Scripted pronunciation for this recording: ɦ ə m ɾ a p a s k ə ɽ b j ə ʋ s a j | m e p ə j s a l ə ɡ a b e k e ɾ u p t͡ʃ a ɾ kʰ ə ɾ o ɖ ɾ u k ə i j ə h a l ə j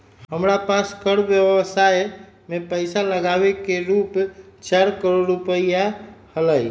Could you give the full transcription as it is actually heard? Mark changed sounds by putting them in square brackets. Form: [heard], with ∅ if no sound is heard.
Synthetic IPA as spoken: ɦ ə m ɾ a p a s k ə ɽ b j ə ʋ s a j | m e p ə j s a l ə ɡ a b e k e ɾ u p t͡ʃ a ɾ [k] ə ɾ o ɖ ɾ u [p] ə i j [a] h [ə] l ə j